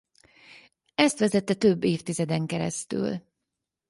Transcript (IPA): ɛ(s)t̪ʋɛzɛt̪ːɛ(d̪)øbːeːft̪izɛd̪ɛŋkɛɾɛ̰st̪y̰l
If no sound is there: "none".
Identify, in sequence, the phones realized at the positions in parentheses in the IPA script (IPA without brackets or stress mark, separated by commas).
s, t̪